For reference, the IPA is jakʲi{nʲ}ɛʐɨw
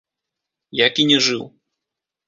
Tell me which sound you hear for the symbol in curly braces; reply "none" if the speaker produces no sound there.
nʲ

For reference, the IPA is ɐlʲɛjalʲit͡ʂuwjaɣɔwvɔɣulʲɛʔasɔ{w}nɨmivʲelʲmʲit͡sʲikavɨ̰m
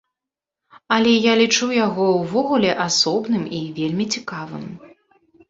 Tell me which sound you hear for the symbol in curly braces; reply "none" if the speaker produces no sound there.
b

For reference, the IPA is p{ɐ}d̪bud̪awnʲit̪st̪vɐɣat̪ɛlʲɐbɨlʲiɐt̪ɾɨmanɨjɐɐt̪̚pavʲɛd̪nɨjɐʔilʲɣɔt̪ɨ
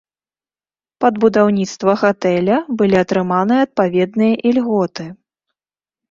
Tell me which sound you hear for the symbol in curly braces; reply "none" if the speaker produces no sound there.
ɐ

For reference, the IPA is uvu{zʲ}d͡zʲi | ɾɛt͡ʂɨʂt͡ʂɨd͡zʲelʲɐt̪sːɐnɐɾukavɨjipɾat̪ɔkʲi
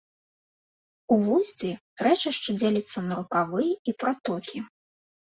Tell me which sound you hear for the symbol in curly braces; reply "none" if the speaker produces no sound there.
zʲ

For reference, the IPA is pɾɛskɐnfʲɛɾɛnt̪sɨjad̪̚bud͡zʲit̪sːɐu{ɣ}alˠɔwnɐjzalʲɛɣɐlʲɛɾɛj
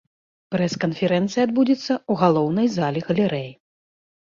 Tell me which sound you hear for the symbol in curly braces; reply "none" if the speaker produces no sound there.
ɣ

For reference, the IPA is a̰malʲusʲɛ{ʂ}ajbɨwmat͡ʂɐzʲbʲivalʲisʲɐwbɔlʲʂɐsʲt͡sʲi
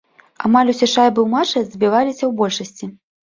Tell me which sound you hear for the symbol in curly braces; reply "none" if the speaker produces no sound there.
ʂ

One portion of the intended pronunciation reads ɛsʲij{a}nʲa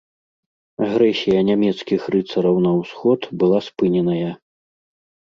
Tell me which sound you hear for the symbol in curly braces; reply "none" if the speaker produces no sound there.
ɐ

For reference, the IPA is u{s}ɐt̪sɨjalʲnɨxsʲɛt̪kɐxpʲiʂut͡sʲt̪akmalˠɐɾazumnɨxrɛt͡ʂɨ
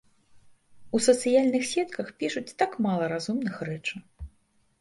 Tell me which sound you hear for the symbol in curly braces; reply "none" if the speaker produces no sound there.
s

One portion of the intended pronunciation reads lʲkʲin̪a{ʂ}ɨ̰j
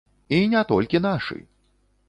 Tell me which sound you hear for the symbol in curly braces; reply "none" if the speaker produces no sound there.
ʂ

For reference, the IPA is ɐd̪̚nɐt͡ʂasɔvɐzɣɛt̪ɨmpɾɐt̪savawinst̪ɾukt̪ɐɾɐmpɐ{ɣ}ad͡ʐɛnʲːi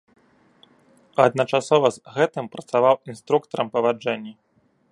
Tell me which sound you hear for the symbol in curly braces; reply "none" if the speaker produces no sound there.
v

